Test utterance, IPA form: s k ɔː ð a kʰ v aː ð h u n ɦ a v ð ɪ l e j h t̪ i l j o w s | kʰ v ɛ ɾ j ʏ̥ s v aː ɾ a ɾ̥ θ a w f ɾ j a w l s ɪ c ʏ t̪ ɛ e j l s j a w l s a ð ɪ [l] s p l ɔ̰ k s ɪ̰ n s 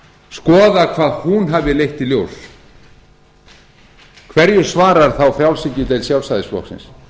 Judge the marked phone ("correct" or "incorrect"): incorrect